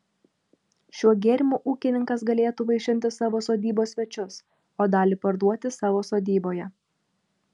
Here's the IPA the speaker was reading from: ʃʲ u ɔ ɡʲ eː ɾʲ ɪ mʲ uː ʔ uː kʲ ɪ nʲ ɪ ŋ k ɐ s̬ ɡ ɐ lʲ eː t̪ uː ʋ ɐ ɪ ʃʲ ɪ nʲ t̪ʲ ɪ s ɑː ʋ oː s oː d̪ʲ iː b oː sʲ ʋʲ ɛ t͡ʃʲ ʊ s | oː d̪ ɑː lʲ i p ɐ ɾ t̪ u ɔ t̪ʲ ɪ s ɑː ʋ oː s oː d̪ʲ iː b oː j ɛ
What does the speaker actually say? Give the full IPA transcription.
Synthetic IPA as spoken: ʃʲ u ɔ ɡʲ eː ɾʲ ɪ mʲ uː ʔ uː kʲ ɪ nʲ ɪ ŋ k ɐ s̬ ɡ ɐ lʲ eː t̪ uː ʋ ɐ ɪ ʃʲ ɪ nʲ t̪ʲ ɪ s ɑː ʋ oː s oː d̪ʲ iː b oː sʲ ʋʲ ɛ t͡ʃʲ ʊ s | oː d̪ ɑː lʲ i p ɐ ɾ d̪ u ɔ t̪ʲ ɪ s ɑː ʋ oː s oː d̪ʲ iː b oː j ɛ